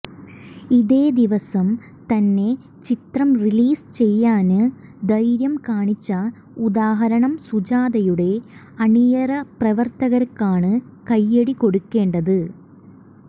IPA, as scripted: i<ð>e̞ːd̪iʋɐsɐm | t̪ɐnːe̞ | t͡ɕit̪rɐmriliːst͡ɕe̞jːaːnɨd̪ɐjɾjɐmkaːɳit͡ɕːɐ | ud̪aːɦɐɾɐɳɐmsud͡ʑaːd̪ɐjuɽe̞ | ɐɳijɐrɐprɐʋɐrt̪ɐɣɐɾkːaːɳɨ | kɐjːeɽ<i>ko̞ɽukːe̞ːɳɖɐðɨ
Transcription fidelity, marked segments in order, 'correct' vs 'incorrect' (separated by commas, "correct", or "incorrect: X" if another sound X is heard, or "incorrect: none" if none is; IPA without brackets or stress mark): correct, correct